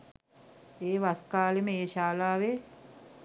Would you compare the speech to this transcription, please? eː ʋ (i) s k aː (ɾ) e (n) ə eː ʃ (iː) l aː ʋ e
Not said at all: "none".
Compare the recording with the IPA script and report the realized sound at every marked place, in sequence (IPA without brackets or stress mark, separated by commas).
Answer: a, l, m, aː